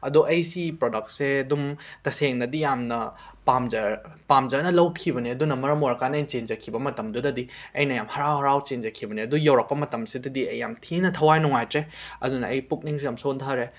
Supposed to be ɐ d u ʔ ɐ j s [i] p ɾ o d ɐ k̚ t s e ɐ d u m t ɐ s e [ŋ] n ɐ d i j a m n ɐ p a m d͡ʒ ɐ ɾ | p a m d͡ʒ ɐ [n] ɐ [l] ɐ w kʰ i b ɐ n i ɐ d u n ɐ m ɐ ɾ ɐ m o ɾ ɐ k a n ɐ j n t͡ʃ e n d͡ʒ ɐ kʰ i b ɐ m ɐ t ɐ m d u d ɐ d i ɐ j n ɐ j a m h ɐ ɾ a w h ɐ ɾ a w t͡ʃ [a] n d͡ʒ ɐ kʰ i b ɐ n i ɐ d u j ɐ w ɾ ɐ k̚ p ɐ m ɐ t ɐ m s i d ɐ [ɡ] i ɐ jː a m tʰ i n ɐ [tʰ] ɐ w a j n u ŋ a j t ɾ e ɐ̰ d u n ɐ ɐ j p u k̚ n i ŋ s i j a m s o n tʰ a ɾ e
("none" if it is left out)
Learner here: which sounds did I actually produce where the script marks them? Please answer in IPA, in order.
i, ŋ, n, l, e, d, tʰ

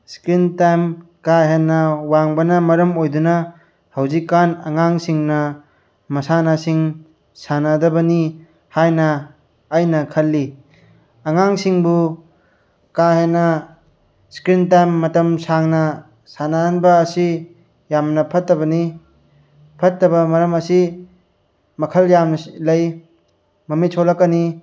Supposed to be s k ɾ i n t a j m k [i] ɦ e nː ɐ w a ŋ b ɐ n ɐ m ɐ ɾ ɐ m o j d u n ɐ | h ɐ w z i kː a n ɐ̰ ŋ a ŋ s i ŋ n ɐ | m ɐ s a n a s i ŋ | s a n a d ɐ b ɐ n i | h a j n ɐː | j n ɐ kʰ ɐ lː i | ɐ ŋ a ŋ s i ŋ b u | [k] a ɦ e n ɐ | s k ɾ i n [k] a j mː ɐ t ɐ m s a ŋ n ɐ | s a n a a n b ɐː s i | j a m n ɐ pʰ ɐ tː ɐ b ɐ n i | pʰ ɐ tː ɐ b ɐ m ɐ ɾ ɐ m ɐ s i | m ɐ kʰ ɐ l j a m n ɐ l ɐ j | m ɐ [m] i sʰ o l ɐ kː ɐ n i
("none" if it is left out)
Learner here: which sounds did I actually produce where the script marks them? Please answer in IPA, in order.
a, k, t, m

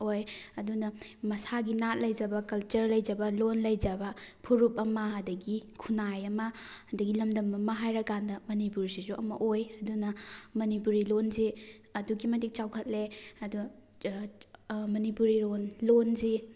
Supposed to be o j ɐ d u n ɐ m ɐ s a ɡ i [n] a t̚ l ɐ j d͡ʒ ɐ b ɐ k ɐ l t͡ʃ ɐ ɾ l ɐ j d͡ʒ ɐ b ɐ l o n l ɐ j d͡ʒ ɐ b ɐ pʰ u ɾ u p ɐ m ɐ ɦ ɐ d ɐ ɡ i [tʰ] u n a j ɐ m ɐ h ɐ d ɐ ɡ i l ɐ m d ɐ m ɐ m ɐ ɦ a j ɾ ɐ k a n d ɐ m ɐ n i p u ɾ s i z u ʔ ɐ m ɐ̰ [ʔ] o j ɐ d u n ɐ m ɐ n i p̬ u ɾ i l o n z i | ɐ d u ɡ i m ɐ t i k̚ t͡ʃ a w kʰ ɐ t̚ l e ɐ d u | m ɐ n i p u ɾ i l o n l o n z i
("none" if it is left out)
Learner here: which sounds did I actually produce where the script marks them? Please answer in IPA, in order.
n, kʰ, ʔ

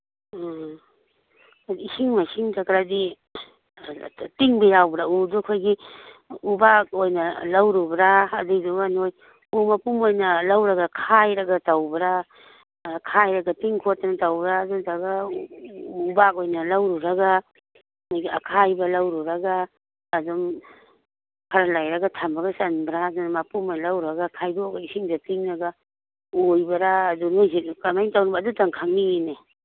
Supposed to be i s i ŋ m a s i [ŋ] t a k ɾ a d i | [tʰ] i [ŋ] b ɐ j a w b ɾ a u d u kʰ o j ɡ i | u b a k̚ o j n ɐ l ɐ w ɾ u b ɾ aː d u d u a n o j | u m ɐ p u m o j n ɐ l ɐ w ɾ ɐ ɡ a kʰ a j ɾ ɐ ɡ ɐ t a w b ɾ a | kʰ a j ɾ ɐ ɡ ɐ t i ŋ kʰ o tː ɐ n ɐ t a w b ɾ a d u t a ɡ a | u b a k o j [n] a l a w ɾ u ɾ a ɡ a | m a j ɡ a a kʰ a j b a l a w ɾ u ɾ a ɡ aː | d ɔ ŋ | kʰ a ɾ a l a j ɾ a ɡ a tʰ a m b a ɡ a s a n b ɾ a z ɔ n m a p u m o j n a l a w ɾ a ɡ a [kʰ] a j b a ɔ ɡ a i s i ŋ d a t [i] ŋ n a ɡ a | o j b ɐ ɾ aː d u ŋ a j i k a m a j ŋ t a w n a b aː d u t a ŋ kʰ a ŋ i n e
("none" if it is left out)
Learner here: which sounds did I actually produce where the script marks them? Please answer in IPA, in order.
ŋ, t, ŋ, n, kʰ, i

